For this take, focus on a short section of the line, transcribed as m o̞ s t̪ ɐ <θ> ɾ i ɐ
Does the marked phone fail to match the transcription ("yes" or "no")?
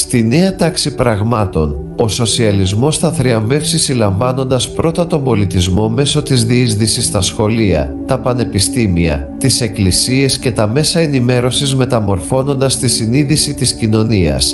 no